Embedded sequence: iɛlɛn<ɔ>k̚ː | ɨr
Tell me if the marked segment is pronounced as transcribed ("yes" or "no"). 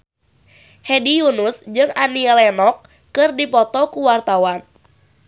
yes